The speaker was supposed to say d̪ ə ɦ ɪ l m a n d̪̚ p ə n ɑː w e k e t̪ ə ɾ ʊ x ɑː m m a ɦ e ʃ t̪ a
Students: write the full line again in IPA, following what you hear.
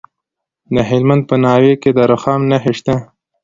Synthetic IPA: d̪ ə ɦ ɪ l m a n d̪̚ p ə n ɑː w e k e d̪ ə ɾ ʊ x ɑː m n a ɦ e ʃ t̪ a